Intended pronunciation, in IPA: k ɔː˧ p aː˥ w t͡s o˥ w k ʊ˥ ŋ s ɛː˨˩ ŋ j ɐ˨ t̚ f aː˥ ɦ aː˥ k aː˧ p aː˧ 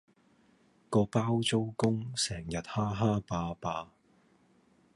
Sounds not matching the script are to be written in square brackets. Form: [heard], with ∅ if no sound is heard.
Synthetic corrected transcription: k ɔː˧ p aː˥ w t͡s o˥ w k ʊ˥ ŋ s ɛː˨˩ ŋ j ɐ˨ t̚ [h] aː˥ ɦ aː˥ [p] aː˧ p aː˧